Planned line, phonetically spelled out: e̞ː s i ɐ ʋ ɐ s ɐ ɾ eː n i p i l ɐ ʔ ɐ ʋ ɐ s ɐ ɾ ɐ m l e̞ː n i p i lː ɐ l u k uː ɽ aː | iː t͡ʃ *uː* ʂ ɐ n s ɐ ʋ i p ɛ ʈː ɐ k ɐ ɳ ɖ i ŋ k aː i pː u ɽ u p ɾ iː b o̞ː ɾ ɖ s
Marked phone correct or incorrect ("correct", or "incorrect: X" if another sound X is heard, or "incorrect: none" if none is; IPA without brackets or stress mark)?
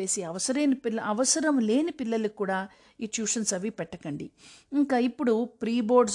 correct